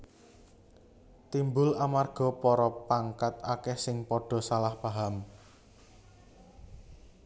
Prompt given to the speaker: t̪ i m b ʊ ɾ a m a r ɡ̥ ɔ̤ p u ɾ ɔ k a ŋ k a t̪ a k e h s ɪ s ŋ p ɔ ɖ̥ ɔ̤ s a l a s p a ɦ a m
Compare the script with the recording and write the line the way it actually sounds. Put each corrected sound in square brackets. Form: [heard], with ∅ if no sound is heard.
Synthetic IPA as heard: t̪ i m b ʊ [l] a m a r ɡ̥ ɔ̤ p [ɔ] ɾ ɔ [p] a ŋ k a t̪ a k [ɛ] h s ɪ [∅] ŋ p ɔ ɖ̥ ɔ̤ s a l a [h] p a ɦ a m